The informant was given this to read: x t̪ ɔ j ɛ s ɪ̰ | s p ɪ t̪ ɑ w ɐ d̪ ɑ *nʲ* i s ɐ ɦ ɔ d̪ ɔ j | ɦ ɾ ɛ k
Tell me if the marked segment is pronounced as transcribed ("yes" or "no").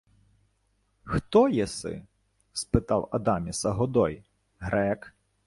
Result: no